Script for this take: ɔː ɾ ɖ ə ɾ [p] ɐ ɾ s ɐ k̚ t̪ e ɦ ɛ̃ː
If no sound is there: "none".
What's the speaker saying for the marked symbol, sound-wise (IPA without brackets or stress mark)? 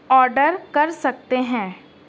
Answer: k